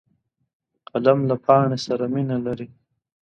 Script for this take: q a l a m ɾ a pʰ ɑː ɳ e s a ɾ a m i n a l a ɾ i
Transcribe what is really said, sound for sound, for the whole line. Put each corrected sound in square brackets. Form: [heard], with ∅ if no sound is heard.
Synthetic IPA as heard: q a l a m [l] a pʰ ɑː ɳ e s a ɾ a m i n a l a ɾ i